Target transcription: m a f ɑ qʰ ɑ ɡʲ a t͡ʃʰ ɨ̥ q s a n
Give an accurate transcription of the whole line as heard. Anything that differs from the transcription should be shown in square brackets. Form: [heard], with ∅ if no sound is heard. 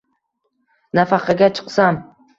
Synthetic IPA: [n] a f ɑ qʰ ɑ ɡʲ a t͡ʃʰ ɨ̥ q s a [m]